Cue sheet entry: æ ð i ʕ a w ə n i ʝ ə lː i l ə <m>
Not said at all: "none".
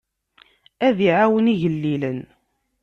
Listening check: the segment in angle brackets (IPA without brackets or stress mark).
n